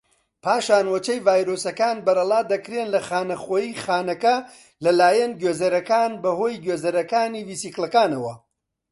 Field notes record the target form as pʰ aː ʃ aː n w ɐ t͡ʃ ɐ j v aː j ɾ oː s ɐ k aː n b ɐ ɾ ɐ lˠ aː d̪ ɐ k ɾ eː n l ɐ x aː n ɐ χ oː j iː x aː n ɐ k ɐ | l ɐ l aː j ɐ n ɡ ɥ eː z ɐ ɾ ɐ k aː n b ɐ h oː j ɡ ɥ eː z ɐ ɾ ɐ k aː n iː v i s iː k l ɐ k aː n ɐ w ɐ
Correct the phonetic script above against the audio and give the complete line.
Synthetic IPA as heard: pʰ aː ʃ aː n w ɐ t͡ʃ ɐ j v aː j ɾ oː s ɐ k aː n b ɐ ɾ ɐ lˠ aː d̪ ɐ k ɾ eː n l ɐ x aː n ɐ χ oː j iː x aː n ɐ k ɐ | l ɐ l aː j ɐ n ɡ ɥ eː z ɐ ɾ ɐ k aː n b ɐ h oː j ɡ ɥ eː z ɐ ɾ ɐ k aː n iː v i s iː k l ɐ k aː n ɐ w ɐ